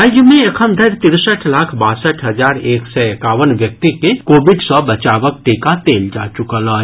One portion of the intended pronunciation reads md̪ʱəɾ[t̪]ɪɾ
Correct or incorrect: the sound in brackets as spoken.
correct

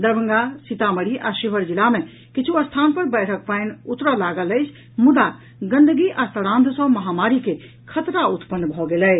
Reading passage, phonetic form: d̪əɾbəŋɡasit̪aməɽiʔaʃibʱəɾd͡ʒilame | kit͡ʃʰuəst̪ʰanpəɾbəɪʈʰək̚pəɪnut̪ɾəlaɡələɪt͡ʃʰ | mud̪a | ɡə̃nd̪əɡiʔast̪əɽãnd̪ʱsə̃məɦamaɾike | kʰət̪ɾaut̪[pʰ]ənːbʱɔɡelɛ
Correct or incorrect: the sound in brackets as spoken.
incorrect: p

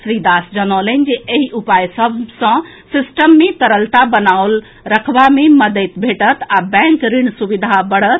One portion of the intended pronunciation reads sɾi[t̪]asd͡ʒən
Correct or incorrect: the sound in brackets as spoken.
incorrect: d̪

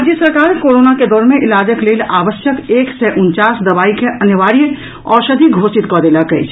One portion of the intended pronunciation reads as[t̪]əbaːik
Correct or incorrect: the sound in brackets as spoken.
incorrect: d̪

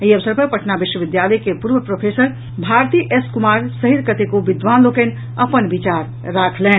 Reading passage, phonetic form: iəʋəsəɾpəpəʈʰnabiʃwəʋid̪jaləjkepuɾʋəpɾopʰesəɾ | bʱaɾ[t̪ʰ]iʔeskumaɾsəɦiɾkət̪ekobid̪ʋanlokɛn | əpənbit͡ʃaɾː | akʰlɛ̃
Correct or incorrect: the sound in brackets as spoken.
incorrect: t̪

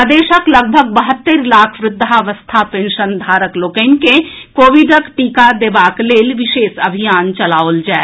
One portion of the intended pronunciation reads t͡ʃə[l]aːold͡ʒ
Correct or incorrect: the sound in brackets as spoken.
correct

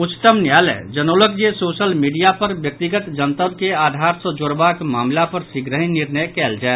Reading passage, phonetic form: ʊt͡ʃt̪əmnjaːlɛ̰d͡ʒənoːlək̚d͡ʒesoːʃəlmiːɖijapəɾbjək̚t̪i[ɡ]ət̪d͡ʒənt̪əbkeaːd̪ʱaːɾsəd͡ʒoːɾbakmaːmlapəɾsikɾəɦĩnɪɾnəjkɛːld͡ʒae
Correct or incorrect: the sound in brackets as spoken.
correct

